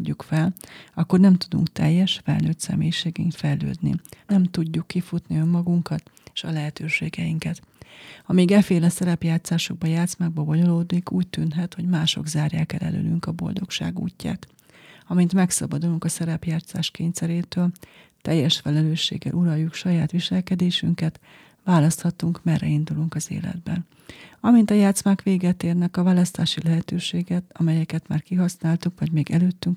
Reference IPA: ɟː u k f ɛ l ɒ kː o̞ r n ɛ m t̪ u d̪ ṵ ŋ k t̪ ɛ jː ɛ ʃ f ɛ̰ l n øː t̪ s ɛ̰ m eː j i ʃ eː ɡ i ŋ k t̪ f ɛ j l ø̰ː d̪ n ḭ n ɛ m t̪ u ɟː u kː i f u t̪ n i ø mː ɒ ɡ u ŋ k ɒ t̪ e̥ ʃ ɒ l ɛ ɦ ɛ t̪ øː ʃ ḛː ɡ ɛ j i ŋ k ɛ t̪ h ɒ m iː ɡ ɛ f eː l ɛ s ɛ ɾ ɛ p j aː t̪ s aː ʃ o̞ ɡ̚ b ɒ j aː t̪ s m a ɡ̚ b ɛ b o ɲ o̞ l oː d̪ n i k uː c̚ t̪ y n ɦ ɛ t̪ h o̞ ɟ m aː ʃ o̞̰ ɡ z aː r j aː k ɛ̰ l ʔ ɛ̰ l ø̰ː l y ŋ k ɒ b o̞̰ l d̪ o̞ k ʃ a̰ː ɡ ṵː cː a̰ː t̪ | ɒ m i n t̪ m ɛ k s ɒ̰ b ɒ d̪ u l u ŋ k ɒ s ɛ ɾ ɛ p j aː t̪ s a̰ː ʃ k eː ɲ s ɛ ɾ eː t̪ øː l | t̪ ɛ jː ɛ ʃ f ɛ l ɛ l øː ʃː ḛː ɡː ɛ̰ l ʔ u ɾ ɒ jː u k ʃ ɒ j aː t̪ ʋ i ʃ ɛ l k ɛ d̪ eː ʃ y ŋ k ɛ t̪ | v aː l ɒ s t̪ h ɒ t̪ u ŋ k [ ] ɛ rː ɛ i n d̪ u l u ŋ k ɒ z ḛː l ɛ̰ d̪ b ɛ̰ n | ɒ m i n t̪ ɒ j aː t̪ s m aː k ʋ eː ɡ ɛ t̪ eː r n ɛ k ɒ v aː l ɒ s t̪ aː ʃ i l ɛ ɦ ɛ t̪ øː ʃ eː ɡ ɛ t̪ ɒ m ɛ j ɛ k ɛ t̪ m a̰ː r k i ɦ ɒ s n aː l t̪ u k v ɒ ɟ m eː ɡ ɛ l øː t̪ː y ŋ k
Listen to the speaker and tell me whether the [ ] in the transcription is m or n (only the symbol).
m